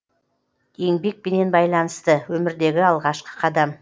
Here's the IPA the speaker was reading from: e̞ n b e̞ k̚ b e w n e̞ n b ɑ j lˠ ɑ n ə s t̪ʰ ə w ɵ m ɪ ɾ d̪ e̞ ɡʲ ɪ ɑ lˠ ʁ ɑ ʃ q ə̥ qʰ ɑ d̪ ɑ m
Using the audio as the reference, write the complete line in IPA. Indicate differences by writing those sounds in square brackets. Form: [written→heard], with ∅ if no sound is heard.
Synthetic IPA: e̞ [n→ŋ] b e̞ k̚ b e [w→∅] n e̞ n b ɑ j lˠ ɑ n ə s [t̪ʰ→t̪] ə w ɵ m ɪ ɾ d̪ e̞ ɡʲ ɪ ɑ lˠ ʁ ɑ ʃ q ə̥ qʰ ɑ d̪ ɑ m